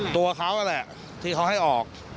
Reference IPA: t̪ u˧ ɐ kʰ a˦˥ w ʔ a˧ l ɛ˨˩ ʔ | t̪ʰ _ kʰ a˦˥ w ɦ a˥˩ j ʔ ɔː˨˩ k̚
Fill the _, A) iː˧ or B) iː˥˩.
A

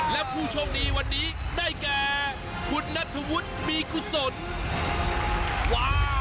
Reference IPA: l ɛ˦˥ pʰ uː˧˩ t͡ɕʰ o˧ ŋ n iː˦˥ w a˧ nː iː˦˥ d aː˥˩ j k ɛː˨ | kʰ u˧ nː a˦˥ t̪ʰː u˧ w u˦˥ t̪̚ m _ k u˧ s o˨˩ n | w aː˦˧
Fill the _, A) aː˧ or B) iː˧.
B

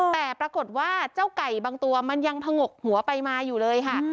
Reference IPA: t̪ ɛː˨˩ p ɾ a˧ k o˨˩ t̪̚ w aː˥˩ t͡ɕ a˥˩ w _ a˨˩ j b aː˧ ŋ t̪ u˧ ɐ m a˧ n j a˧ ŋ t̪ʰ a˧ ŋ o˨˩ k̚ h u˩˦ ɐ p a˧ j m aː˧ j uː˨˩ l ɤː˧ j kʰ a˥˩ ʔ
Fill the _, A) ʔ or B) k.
B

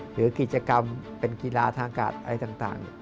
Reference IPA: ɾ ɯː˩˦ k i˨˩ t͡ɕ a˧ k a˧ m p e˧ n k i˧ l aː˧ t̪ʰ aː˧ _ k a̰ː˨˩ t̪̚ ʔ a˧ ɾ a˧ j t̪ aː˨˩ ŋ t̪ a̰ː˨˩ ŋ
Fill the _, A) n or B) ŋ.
B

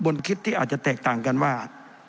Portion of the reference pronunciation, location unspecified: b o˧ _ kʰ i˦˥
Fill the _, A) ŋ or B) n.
B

